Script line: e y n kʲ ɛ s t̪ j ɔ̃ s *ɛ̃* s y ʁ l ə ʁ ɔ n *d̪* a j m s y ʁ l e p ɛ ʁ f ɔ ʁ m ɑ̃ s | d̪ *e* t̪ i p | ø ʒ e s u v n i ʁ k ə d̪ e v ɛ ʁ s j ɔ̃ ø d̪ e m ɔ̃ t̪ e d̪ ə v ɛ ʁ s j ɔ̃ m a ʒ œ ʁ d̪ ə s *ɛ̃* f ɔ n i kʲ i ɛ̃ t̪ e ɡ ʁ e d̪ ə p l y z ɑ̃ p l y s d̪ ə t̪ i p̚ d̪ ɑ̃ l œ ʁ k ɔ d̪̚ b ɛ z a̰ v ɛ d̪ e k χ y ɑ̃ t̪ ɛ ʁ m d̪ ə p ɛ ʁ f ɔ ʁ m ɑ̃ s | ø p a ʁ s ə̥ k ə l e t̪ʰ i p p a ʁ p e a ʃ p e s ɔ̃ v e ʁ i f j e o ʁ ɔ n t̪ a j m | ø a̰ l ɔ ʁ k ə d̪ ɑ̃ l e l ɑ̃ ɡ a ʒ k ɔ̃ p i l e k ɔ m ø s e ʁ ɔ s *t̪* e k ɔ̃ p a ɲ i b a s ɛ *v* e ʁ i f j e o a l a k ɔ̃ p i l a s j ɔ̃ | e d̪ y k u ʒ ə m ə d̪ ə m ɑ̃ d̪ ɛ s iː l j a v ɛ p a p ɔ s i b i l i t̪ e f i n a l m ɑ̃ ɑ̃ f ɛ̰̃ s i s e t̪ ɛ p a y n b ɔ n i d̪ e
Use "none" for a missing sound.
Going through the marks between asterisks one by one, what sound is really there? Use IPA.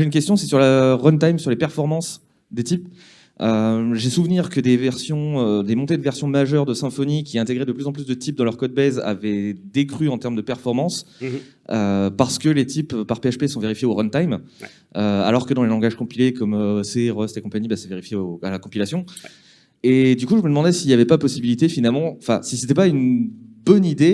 ɛ, t̪, e, ɛ̃, t̪, v

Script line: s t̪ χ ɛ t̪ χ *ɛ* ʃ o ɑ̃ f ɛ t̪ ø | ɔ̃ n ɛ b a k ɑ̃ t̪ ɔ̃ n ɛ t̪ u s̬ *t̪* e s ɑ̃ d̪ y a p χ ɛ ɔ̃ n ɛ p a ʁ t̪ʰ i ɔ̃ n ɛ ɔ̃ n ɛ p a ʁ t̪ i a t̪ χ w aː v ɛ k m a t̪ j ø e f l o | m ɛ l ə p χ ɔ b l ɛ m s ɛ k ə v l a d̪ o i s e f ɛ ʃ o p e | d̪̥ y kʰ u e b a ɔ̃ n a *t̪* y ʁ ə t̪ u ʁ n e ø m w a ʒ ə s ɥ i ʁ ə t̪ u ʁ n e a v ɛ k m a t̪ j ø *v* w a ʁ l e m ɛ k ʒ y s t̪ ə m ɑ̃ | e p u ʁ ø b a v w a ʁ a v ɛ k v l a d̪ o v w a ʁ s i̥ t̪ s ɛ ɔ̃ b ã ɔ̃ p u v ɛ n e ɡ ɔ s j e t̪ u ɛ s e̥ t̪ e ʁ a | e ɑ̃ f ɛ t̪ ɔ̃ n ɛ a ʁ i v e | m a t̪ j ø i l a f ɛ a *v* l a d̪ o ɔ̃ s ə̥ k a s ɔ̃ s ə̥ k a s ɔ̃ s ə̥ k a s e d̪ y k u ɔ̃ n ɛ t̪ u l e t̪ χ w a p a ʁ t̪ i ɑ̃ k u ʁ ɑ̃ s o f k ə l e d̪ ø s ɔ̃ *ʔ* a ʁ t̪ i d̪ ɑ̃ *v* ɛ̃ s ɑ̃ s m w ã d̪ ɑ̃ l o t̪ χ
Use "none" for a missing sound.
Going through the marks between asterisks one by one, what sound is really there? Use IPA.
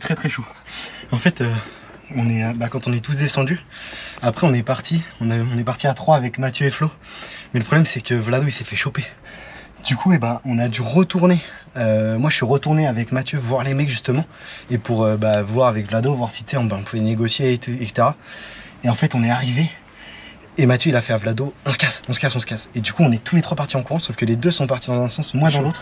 ɛ, d̪, d̪, v, v, p, z

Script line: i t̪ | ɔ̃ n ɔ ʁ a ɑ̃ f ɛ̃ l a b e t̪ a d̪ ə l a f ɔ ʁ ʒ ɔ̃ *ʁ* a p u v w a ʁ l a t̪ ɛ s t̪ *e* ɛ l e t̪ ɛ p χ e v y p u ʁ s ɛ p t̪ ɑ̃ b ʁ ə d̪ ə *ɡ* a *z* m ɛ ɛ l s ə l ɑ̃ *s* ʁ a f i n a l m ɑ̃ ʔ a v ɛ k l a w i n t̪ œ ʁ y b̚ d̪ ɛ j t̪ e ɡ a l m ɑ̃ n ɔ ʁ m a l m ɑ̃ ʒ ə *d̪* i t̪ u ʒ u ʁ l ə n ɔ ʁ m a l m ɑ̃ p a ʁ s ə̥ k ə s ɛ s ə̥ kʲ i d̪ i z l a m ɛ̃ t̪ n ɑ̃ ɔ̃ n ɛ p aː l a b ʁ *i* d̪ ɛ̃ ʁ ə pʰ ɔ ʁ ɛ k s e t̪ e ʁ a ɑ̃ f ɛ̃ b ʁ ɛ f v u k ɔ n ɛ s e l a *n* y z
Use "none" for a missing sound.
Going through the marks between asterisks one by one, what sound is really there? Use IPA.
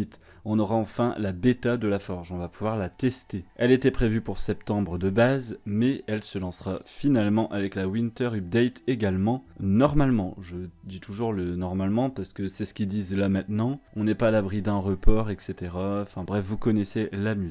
v, e, b, z, s, d̪, i, m

